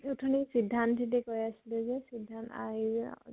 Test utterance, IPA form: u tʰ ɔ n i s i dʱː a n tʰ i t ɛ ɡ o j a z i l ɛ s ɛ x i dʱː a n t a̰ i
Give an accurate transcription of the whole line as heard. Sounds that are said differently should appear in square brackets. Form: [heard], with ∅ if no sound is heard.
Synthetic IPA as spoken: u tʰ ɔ n i s i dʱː a n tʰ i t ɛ [k] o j a [s] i l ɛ [z] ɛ [s] i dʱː a n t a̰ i